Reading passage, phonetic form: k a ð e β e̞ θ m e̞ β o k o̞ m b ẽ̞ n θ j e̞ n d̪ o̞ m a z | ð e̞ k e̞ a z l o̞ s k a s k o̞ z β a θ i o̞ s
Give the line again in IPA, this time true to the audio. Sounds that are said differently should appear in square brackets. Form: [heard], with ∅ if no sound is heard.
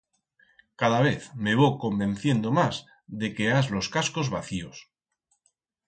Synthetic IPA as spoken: k a ð [a] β e̞ θ m e̞ β o k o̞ m b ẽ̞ n θ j e̞ n d̪ o̞ m a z | ð e̞ k e̞ a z l o̞ s k a s k o̞ z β a θ i o̞ s